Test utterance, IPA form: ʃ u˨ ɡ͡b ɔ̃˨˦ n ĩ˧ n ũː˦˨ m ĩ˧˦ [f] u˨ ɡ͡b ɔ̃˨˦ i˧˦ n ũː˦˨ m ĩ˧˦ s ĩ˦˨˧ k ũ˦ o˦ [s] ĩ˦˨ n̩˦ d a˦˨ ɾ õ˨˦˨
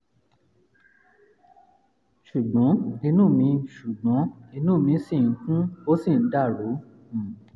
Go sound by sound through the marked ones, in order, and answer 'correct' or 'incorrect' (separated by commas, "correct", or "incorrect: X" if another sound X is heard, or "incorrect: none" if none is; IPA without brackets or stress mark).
incorrect: ʃ, correct